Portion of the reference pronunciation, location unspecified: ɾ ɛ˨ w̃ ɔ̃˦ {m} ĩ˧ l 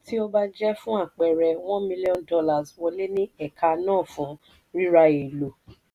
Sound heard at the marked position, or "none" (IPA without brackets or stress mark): m